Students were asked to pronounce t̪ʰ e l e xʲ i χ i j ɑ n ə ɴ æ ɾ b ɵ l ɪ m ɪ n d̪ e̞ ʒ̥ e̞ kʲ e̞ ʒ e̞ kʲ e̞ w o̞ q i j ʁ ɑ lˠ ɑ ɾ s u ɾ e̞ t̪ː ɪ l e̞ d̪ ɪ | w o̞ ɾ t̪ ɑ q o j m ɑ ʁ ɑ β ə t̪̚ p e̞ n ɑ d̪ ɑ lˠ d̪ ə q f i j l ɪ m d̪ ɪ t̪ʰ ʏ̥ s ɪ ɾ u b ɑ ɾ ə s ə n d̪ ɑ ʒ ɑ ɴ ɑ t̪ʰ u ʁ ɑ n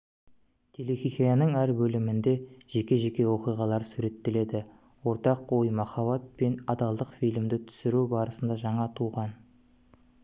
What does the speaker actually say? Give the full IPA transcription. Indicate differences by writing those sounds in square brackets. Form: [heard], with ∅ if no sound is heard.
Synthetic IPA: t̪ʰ e l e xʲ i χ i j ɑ n ə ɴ æ ɾ b ɵ l ɪ m ɪ n d̪ e̞ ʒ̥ e̞ kʲ e̞ ʒ e̞ kʲ e̞ w o̞ q i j ʁ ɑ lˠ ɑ ɾ s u ɾ e̞ t̪ː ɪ l e̞ d̪ ɪ | w o̞ ɾ t̪ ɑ q o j m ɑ [χ] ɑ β [ɑ] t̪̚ p e̞ n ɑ d̪ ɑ lˠ d̪ ə q f i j l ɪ m d̪ ɪ t̪ʰ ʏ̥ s ɪ ɾ u b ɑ ɾ ə s ə n d̪ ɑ ʒ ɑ ɴ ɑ t̪ʰ u ʁ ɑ n

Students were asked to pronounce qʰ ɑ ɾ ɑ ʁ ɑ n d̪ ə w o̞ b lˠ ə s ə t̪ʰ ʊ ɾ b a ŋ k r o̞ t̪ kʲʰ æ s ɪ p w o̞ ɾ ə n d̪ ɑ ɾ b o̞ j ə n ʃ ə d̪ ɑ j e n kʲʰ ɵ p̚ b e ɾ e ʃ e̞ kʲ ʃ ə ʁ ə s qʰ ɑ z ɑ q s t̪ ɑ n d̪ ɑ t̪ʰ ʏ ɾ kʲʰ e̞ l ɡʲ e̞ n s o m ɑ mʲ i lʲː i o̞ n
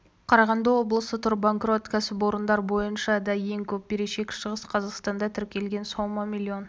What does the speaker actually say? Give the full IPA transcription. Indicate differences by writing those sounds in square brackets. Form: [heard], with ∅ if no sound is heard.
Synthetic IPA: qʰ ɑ ɾ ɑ ʁ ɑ n d̪ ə w o̞ b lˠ ə s ə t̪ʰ ʊ ɾ b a ŋ k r o̞ t̪ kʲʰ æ s ɪ p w o̞ ɾ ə n d̪ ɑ ɾ b o̞ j ə n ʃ [ɑ] d̪ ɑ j e [ŋ] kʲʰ ɵ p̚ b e ɾ e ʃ e̞ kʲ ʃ ə ʁ ə s qʰ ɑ z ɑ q s t̪ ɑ n d̪ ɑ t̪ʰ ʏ ɾ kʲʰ e̞ l ɡʲ e̞ n s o m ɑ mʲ i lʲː i o̞ n

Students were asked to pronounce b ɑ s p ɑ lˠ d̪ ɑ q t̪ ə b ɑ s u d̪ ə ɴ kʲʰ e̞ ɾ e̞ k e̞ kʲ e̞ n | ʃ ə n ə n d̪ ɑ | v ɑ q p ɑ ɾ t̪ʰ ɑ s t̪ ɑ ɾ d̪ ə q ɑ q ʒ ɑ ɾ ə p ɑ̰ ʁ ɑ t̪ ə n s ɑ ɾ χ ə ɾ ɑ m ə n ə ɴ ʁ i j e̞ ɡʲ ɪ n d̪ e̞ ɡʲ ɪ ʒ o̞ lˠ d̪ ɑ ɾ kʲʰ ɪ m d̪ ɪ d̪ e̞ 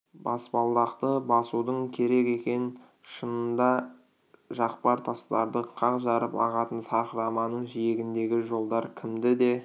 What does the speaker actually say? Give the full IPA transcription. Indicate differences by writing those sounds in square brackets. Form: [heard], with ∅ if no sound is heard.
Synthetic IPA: b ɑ s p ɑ lˠ d̪ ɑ q t̪ ə b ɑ s u d̪ ə ɴ kʲʰ e̞ ɾ e̞ k e̞ kʲ e̞ n | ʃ ə n ə n d̪ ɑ | [ʒ] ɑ q p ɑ ɾ t̪ʰ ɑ s t̪ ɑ ɾ d̪ ə [qʰ] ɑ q ʒ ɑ ɾ ə p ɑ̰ ʁ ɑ t̪ ə n s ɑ ɾ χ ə ɾ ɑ m [ɑ] n ə ɴ [ʒ] i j e̞ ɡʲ ɪ n d̪ e̞ ɡʲ ɪ ʒ o̞ lˠ d̪ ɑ ɾ kʲʰ ɪ m d̪ ɪ d̪ e̞

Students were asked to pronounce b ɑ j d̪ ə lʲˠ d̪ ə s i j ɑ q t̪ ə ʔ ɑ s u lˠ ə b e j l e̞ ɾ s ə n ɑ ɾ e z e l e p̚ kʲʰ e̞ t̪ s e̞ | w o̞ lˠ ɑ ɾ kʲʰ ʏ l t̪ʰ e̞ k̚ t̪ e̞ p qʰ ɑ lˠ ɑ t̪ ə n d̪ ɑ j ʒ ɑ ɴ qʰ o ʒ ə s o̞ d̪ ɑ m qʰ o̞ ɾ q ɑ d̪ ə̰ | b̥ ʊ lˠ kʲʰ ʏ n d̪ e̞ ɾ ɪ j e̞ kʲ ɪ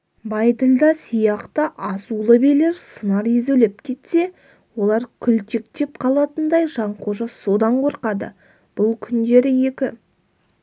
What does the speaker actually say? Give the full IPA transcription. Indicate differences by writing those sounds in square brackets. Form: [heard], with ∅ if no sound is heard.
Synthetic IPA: b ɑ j d̪ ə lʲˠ d̪ [ɑ] s i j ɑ q t̪ ə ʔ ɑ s u lˠ ə b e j l e̞ ɾ s ə n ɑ ɾ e z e l e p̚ kʲʰ e̞ t̪ s e̞ | w o̞ lˠ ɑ ɾ kʲʰ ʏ l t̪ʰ e̞ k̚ t̪ e̞ p qʰ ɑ lˠ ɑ t̪ ə n d̪ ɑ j ʒ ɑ ɴ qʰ o ʒ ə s o̞ d̪ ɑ [ɴ] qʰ o̞ ɾ q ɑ d̪ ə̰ | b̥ ʊ lˠ kʲʰ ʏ n d̪ e̞ ɾ ɪ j e̞ kʲ ɪ

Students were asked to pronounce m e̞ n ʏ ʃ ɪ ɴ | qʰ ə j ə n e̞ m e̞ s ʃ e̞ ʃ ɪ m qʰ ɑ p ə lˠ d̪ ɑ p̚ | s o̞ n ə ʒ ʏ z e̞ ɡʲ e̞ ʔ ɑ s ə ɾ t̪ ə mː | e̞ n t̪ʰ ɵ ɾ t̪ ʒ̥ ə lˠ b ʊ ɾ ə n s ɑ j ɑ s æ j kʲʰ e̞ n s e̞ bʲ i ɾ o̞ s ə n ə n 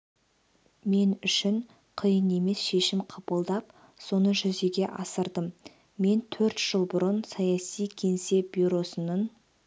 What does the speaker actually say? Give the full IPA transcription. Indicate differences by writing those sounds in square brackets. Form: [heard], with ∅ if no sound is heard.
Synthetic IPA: m e̞ n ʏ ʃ ɪ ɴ | qʰ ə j ə n e̞ m e̞ s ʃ e̞ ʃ ɪ m qʰ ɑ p ə lˠ d̪ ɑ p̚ | s o̞ n ə ʒ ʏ z e̞ ɡʲ e̞ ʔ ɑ s ə ɾ [d̪] ə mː | e̞ n t̪ʰ ɵ ɾ t̪ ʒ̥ ə lˠ b ʊ ɾ ə n s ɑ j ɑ s [i] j kʲʰ e̞ n s e̞ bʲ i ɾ o̞ s ə n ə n

